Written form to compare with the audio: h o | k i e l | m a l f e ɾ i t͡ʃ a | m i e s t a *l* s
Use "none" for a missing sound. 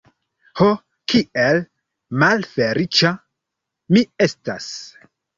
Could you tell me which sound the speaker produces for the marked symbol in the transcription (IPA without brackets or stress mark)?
none